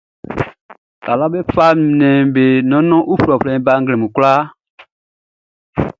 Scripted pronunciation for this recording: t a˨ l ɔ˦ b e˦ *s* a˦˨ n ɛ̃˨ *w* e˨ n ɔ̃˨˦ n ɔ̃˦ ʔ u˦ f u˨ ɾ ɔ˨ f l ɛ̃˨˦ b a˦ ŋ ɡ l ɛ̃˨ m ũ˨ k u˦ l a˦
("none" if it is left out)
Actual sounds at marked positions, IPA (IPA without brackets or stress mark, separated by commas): f, b